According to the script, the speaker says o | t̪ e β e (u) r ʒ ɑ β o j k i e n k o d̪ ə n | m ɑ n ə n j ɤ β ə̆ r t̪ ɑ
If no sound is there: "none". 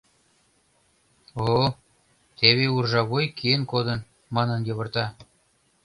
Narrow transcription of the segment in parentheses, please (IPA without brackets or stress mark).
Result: u